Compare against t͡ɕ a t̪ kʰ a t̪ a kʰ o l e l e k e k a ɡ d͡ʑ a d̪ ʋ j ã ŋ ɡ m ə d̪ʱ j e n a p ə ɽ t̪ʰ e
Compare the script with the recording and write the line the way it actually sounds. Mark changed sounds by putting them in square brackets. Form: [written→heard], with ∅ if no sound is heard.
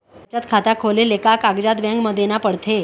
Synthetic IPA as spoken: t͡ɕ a t̪ kʰ a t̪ a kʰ o l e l e k [e→a] k a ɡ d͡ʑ a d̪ ʋ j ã ŋ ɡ m ə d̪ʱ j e n a p ə ɽ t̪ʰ e